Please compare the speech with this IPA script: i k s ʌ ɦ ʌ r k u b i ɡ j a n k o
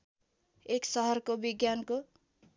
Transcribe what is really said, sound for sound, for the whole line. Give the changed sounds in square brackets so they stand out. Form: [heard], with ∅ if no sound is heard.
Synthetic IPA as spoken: [e] k s ʌ ɦ ʌ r k [o] b i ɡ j a n k o